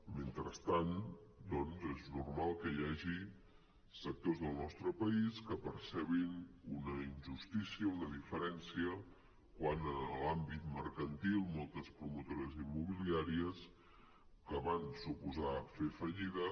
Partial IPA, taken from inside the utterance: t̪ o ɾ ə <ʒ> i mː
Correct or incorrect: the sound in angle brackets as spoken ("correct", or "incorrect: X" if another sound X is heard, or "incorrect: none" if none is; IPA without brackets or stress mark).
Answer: incorrect: z